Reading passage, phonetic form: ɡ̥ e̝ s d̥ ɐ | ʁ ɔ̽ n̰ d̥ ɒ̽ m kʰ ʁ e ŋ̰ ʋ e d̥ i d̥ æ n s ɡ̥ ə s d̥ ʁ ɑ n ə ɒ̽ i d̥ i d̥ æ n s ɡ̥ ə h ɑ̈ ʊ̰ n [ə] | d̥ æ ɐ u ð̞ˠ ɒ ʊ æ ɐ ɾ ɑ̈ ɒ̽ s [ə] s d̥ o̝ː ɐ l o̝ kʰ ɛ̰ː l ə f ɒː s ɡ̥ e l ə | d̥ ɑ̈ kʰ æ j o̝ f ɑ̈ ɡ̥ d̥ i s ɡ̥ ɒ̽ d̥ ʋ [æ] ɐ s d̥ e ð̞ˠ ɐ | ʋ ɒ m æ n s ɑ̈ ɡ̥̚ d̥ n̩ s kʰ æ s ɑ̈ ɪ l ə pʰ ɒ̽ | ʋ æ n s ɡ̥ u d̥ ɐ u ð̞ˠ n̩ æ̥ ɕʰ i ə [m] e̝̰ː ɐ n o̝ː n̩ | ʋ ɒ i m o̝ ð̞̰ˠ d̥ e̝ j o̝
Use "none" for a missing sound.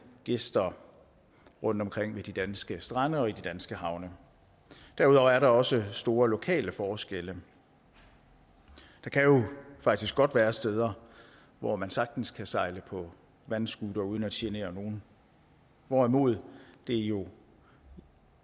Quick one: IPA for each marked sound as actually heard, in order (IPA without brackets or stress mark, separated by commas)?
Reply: ə, ə, æː, n